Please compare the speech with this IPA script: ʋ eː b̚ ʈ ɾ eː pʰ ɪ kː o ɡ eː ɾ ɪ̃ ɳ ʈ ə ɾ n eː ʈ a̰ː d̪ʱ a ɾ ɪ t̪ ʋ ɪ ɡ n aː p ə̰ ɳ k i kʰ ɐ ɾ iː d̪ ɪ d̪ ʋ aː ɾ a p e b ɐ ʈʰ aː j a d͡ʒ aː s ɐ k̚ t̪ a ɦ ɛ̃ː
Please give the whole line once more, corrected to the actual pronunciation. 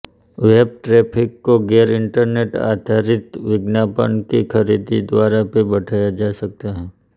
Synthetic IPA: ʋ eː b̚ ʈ ɾ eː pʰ ɪ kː o ɡ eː ɾ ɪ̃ ɳ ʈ ə ɾ n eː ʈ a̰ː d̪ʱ a ɾ ɪ t̪ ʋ ɪ ɡ n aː p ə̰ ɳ k i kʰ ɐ ɾ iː d̪ i d̪ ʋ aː ɾ a p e b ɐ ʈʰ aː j a d͡ʒ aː s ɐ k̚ t̪ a ɦ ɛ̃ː